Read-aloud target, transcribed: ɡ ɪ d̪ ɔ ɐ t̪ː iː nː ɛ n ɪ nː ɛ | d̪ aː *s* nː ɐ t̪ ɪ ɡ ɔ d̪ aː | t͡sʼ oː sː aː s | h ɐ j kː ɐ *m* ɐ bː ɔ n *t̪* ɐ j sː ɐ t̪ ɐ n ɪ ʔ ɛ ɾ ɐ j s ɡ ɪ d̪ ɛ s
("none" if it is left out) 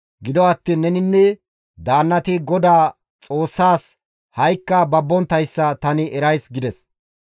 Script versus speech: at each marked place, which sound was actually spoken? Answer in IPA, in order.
none, b, t̪

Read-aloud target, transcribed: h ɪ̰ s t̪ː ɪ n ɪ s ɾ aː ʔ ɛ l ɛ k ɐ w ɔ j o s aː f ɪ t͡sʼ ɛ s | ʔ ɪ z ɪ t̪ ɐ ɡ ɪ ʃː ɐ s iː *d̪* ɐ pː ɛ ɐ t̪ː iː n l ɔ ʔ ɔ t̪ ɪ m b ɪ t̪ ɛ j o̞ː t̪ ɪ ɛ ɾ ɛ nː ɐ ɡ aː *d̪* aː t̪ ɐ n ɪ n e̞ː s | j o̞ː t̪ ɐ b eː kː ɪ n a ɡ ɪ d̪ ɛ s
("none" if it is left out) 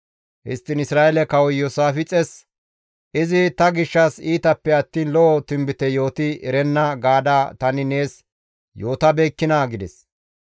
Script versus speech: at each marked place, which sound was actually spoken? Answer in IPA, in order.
t̪, d̪

